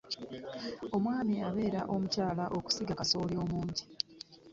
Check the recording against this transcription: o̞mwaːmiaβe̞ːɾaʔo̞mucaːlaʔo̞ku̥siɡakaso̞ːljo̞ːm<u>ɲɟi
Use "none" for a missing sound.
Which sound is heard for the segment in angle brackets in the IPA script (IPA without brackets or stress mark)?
uː